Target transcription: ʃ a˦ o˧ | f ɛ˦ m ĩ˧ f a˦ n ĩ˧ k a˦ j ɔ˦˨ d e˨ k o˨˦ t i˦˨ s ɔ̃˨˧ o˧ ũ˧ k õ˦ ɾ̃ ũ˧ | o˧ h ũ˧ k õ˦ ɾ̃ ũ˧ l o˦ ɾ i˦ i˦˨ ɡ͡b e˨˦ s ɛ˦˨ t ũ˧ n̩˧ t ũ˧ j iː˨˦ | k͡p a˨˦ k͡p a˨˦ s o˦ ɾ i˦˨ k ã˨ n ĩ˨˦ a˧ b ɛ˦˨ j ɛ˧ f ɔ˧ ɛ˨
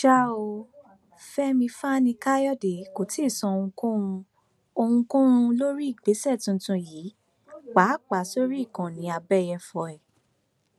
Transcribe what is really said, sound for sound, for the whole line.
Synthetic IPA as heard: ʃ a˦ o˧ | f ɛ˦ m ĩ˧ f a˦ n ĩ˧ k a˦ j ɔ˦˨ d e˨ k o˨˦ t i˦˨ s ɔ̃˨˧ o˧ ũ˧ k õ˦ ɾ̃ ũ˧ | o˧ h ũ˧ k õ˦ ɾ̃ ũ˧ l o˦ ɾ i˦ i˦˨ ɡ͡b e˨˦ s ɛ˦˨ t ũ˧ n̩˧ t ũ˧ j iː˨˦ | k͡p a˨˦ k͡p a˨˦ s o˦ ɾ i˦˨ k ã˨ n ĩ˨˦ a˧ b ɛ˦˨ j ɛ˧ f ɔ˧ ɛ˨